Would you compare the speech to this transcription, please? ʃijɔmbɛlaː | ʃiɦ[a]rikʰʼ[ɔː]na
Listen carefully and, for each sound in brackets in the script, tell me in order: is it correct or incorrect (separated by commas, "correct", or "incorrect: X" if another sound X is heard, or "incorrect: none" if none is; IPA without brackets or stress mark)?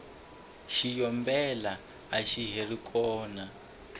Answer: incorrect: e, correct